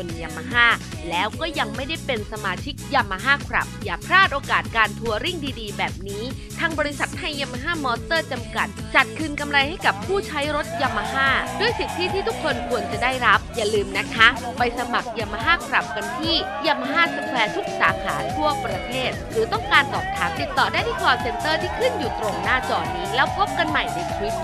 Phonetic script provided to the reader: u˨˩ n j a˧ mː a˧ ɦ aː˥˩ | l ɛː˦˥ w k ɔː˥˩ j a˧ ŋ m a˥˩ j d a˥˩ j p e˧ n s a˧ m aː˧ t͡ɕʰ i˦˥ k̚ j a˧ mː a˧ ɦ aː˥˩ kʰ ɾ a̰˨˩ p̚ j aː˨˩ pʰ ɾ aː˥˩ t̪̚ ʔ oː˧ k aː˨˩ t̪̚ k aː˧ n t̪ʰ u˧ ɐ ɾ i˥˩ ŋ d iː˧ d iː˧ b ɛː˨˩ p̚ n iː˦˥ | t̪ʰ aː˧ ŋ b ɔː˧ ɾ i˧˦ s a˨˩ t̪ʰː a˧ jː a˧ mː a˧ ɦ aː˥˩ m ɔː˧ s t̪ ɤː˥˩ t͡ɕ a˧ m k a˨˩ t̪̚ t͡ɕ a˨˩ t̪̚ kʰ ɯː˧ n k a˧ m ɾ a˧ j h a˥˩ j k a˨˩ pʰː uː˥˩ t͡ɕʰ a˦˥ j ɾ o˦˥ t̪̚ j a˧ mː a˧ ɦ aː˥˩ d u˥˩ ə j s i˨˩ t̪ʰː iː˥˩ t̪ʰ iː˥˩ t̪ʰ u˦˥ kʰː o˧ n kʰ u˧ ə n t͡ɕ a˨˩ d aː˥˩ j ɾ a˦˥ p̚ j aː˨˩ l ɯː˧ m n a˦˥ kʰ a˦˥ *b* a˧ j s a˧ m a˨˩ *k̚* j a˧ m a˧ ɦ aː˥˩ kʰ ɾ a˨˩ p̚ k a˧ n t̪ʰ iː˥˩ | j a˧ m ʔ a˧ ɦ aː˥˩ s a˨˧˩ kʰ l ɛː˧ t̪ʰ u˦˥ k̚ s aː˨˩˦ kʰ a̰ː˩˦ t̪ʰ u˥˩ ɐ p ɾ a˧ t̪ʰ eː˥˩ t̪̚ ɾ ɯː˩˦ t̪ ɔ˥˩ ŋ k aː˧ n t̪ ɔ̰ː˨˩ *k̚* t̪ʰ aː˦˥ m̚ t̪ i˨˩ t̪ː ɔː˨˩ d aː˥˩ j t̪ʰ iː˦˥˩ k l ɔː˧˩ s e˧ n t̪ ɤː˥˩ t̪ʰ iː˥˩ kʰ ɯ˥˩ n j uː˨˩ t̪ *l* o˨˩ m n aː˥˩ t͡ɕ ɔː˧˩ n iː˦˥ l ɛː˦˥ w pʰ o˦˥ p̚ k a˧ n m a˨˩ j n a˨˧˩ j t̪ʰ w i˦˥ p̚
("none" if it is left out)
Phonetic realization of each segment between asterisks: p, k̚, p̚, ɾ

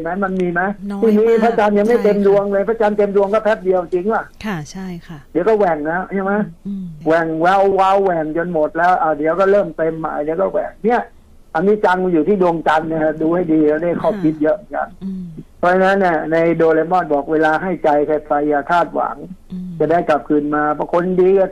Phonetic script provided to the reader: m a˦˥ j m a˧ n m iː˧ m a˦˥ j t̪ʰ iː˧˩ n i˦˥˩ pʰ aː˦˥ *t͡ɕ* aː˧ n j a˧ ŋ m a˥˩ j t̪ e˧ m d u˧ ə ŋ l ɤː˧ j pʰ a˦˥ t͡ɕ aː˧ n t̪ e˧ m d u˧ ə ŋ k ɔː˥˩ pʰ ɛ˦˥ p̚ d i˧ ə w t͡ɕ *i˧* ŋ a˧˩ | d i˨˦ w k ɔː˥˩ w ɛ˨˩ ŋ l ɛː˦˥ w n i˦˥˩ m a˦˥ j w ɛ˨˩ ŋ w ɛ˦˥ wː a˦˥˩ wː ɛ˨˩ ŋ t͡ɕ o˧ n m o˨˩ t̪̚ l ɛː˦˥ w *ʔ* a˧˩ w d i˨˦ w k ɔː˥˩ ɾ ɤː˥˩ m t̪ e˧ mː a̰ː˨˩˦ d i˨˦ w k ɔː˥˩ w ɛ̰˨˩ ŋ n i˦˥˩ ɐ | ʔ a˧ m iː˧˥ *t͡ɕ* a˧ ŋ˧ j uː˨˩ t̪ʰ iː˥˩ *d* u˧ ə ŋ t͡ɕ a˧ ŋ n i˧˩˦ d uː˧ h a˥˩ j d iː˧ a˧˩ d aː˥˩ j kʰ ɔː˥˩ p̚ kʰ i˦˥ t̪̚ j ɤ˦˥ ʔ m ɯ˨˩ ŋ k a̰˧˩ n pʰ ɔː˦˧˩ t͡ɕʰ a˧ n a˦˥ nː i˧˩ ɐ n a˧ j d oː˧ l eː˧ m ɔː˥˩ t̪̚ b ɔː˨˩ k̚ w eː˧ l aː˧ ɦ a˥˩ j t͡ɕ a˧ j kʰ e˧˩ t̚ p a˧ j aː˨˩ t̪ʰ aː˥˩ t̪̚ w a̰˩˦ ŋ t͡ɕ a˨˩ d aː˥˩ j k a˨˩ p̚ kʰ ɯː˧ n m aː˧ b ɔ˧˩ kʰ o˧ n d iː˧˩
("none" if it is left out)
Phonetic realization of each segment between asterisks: t͡ɕ, i˧, ʔ, t͡ɕ, d

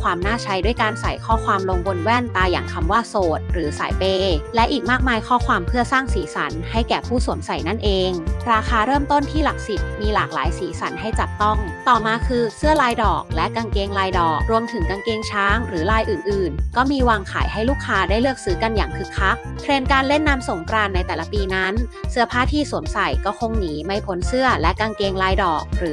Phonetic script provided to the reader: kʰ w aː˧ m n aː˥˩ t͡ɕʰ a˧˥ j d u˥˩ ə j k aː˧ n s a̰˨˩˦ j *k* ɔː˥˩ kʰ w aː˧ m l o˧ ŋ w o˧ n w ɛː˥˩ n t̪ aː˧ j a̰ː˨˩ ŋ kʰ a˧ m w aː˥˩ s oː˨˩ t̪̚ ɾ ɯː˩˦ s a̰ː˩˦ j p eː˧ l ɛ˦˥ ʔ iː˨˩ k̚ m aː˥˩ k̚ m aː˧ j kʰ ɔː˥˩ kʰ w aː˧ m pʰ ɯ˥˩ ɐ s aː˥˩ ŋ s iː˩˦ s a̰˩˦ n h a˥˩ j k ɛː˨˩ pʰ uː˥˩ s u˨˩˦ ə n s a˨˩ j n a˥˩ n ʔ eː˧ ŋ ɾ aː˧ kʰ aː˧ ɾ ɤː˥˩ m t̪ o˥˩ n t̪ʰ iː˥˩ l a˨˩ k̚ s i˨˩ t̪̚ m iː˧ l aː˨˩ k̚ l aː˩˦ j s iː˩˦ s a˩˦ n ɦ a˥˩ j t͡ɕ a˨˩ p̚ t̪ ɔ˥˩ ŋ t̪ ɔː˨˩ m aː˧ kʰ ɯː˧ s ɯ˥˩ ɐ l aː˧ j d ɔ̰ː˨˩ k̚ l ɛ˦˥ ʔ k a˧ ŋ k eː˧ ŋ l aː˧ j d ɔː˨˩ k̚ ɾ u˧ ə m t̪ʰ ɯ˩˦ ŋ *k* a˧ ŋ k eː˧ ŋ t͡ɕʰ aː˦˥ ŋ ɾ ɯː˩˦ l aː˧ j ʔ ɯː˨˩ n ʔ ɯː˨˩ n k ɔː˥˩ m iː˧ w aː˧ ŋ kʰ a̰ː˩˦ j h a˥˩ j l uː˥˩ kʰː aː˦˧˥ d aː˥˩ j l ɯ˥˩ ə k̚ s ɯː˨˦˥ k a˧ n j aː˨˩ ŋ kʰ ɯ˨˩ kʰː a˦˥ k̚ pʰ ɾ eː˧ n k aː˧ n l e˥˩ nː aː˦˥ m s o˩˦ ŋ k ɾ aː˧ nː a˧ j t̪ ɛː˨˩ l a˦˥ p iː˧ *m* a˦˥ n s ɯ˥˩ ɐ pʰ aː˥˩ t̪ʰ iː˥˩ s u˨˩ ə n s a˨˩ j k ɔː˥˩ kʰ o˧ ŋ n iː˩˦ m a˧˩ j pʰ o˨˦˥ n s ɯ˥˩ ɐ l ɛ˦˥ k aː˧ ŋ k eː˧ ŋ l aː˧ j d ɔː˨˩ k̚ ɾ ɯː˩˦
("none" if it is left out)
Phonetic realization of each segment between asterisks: kʰ, k, n

